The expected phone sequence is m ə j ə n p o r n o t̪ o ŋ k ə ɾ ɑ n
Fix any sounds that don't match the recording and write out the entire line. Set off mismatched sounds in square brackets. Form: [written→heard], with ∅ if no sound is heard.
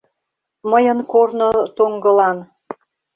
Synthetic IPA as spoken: m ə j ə n [p→k] o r n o t̪ o ŋ [k→ɡ] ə [ɾ→l] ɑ n